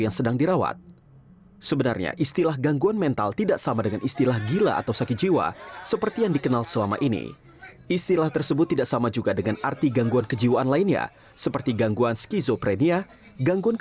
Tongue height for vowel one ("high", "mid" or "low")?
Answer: low